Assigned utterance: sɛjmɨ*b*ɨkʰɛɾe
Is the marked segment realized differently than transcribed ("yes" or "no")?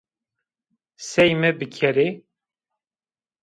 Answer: no